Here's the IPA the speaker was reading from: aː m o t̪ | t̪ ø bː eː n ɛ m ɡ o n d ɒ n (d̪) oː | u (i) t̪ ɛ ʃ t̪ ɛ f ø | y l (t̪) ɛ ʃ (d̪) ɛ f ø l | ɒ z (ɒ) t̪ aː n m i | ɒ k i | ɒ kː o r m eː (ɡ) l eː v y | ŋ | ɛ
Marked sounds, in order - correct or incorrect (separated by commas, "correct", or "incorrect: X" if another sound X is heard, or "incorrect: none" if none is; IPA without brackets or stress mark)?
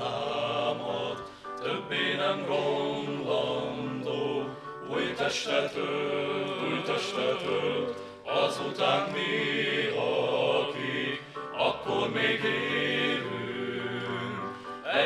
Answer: correct, incorrect: j, correct, incorrect: t̪, incorrect: u, correct